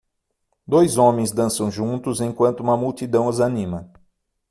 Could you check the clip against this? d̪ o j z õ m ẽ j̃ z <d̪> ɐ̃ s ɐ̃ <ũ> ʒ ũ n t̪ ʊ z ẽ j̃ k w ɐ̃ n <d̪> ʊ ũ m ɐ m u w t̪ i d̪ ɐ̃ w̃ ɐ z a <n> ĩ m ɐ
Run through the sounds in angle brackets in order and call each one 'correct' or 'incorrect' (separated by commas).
correct, incorrect, incorrect, correct